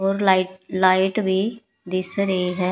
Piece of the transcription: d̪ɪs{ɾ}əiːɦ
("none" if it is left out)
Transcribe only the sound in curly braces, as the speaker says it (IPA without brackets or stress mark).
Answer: ɾ